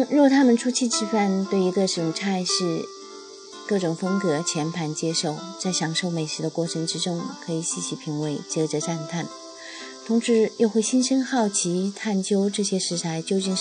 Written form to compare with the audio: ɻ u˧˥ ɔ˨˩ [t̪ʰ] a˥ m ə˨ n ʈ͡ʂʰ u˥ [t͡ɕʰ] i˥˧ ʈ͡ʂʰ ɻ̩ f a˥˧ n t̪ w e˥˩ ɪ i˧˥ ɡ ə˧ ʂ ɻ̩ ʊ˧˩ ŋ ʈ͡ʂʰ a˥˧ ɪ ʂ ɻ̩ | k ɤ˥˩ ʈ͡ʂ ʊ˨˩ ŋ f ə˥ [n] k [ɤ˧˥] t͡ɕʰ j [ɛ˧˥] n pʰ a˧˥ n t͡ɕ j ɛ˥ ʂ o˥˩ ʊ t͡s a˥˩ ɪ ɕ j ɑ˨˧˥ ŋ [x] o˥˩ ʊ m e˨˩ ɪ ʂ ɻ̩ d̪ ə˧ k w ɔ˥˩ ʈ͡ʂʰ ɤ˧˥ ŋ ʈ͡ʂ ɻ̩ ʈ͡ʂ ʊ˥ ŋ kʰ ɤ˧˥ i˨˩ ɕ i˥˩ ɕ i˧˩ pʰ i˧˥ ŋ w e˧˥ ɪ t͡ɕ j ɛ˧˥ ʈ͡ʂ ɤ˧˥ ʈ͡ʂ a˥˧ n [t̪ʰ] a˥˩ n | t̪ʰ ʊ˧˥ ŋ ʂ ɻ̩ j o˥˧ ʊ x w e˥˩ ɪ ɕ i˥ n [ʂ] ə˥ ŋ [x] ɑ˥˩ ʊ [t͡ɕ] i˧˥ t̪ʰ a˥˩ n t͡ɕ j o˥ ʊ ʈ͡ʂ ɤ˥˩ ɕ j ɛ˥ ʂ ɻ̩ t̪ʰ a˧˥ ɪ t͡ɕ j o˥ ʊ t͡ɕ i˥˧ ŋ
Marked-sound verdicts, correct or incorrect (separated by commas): correct, correct, incorrect, correct, correct, incorrect, correct, correct, correct, incorrect